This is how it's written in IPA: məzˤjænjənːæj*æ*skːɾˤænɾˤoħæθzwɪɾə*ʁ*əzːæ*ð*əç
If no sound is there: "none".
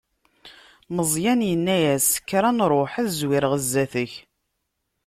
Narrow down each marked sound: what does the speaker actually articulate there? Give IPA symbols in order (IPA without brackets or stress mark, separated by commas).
æ, ʁ, θ